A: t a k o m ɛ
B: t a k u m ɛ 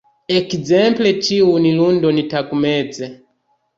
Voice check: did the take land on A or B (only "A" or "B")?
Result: B